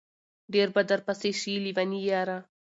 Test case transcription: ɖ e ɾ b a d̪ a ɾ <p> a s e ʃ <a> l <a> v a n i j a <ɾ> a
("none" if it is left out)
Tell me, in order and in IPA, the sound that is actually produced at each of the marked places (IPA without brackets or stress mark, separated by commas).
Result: p, i, i, ɾ